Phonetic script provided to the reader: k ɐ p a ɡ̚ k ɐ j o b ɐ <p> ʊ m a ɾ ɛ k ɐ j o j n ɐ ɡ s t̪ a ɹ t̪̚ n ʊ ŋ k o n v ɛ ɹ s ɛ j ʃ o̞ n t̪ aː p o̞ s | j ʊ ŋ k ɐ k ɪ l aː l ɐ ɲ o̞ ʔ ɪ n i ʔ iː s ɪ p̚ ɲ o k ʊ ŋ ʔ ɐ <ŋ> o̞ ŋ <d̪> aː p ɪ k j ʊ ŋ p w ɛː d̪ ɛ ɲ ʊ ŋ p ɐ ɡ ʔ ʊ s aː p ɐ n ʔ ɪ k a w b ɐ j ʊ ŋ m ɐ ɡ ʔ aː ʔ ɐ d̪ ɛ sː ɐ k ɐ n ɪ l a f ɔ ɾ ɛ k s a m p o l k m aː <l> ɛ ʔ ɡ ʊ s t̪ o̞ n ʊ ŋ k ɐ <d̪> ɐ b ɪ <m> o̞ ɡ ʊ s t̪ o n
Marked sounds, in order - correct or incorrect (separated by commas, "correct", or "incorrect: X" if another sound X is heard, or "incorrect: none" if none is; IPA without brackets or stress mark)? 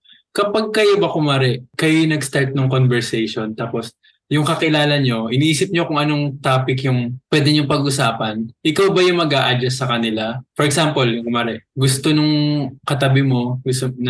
incorrect: k, incorrect: n, incorrect: t̪, incorrect: ɾ, incorrect: t̪, correct